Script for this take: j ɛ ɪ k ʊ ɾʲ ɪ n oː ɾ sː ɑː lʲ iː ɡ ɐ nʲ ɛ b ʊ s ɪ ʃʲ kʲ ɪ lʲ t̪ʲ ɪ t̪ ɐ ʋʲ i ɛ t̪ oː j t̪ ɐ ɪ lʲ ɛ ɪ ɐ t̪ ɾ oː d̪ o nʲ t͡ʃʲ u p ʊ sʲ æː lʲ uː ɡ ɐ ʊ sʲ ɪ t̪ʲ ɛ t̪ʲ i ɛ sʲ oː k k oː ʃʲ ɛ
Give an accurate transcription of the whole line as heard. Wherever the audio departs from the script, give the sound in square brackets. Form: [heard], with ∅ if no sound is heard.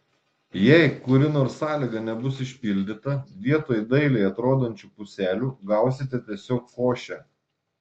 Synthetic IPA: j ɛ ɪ k ʊ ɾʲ ɪ n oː ɾ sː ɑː lʲ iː ɡ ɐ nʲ ɛ b ʊ s ɪ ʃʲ [pʲ] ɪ lʲ [d̪ʲ] ɪ t̪ ɐ ʋʲ i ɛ t̪ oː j [d̪] ɐ ɪ lʲ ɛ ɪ ɐ t̪ ɾ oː d̪ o nʲ t͡ʃʲ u p ʊ sʲ æː lʲ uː ɡ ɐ ʊ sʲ ɪ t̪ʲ ɛ t̪ʲ i ɛ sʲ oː k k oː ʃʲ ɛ

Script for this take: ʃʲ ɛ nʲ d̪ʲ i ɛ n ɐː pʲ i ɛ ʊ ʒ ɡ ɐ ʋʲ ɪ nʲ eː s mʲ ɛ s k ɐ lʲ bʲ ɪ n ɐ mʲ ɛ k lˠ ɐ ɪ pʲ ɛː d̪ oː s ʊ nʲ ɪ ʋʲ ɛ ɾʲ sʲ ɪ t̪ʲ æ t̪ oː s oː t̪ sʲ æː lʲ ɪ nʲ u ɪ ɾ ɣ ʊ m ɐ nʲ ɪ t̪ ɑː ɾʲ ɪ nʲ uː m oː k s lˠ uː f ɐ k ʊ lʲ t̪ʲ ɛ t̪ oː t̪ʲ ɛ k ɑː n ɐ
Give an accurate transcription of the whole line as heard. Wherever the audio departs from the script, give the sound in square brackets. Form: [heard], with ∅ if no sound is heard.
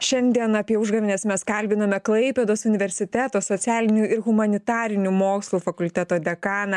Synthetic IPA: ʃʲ ɛ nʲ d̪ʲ i ɛ n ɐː pʲ i ɛ ʊ ʒ ɡ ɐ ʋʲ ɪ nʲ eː s mʲ ɛ s k ɐ lʲ bʲ ɪ n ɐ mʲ ɛ k lˠ ɐ ɪ pʲ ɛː d̪ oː s ʊ nʲ ɪ ʋʲ ɛ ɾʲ sʲ ɪ t̪ʲ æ t̪ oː s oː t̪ sʲ æː lʲ ɪ nʲ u ɪ ɾ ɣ ʊ m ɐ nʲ ɪ t̪ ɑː ɾʲ ɪ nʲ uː m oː k s lˠ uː f ɐ k ʊ lʲ t̪ʲ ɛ t̪ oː [d̪ʲ] ɛ k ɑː n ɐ

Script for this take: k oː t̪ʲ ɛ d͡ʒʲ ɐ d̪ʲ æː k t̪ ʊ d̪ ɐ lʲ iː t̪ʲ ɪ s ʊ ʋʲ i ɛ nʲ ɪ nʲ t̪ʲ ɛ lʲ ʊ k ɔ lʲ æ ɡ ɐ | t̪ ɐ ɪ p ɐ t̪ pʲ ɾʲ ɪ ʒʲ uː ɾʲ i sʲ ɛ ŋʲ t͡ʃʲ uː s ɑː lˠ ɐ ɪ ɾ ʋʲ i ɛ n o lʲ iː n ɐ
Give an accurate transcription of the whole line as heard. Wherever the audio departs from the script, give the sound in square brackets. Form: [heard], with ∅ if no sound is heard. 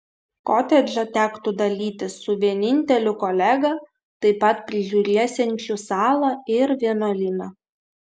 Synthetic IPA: k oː t̪ʲ ɛ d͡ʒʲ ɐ [t̪ʲ] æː k t̪ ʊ d̪ ɐ lʲ iː t̪ʲ ɪ s ʊ ʋʲ i ɛ nʲ ɪ nʲ t̪ʲ ɛ lʲ ʊ k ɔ lʲ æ ɡ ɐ | t̪ ɐ ɪ p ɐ t̪ pʲ ɾʲ ɪ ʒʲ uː ɾʲ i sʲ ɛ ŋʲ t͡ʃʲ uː s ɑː lˠ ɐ ɪ ɾ ʋʲ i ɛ n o lʲ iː n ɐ

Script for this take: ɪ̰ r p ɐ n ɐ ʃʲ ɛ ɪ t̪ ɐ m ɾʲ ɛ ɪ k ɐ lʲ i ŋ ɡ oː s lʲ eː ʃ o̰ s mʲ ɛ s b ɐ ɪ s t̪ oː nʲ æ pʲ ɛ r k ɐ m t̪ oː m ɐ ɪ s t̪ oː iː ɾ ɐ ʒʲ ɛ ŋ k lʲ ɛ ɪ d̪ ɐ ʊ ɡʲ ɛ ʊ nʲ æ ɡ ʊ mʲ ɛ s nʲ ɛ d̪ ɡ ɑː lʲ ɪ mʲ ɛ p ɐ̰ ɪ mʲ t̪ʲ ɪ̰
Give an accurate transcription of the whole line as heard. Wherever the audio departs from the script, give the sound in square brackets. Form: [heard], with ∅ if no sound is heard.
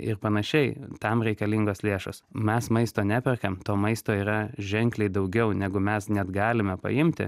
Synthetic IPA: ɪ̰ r p ɐ n ɐ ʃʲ ɛ ɪ t̪ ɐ m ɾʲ ɛ ɪ k ɐ lʲ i ŋ ɡ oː s lʲ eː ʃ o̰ s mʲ ɛ s [m] ɐ ɪ s t̪ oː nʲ æ pʲ ɛ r k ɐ m t̪ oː m ɐ ɪ s t̪ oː iː ɾ ɐ ʒʲ ɛ ŋ k lʲ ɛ ɪ d̪ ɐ ʊ ɡʲ ɛ ʊ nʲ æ ɡ ʊ mʲ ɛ s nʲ ɛ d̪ ɡ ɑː lʲ ɪ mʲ ɛ p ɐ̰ ɪ mʲ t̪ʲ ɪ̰

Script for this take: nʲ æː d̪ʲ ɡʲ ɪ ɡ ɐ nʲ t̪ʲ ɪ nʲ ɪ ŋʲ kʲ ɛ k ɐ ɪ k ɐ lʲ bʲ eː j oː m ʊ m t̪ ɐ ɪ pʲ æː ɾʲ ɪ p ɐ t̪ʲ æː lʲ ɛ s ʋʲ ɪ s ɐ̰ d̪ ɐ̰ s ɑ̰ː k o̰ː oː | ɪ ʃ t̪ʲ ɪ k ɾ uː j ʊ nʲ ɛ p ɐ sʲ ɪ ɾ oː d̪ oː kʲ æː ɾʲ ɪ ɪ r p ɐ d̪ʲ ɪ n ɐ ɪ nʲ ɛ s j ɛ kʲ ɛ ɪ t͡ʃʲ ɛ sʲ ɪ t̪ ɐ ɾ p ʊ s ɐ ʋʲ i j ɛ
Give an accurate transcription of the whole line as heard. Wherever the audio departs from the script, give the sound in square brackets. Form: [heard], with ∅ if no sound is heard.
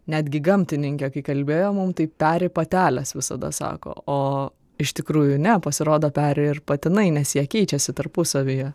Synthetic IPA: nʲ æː d̪ʲ ɡʲ ɪ ɡ ɐ [mʲ] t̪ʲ ɪ nʲ ɪ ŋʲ kʲ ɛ k ɐ ɪ k ɐ lʲ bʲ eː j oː m ʊ m t̪ ɐ ɪ pʲ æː ɾʲ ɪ p ɐ t̪ʲ æː lʲ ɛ s ʋʲ ɪ s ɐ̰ d̪ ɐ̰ s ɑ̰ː k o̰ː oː | ɪ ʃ t̪ʲ ɪ k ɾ uː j ʊ nʲ ɛ p ɐ sʲ ɪ ɾ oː d̪ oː [pʲ] æː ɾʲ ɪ ɪ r p ɐ [t̪ʲ] ɪ n ɐ ɪ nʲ ɛ s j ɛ kʲ ɛ ɪ t͡ʃʲ ɛ sʲ ɪ t̪ ɐ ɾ p ʊ s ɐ ʋʲ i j ɛ

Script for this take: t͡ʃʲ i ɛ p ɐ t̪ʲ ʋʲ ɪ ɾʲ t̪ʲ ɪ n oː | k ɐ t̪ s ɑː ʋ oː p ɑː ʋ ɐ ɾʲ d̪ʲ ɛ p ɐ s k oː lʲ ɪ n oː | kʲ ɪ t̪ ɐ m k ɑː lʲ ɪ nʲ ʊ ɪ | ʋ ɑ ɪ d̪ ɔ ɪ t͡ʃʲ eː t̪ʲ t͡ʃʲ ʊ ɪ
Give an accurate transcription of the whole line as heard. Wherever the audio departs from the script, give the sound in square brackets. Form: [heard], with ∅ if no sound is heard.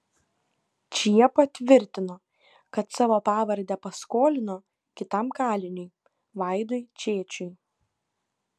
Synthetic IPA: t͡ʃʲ i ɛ p ɐ t̪ʲ ʋʲ ɪ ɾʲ t̪ʲ ɪ n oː | k ɐ t̪ s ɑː ʋ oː p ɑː ʋ ɐ ɾʲ d̪ʲ ɛ p ɐ s k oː lʲ ɪ n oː | kʲ ɪ t̪ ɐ m k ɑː lʲ ɪ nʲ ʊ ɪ | ʋ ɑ ɪ d̪ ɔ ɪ t͡ʃʲ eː [∅] t͡ʃʲ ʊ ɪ

